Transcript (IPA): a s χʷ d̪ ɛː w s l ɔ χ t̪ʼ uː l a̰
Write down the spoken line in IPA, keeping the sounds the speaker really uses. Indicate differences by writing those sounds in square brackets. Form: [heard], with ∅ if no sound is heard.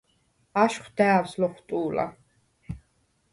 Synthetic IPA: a [ʃ] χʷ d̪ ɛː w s l ɔ χ t̪ʼ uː l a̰